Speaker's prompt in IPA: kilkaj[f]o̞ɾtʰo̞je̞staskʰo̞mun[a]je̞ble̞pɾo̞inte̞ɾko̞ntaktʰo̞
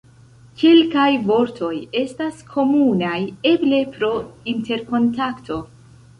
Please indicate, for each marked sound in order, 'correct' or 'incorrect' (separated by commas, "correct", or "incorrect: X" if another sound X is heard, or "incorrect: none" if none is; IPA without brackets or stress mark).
incorrect: v, correct